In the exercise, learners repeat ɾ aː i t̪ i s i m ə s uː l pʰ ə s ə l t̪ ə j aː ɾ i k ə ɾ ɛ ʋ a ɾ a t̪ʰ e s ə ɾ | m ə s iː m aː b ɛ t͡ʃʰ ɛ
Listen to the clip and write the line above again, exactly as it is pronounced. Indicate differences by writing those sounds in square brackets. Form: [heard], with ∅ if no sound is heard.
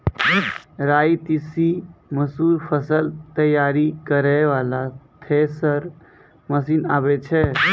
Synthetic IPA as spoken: ɾ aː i t̪ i s i m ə s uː [ɾ] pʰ ə s ə l t̪ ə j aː ɾ i k ə ɾ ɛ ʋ a [l] a t̪ʰ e s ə ɾ | m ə s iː [n] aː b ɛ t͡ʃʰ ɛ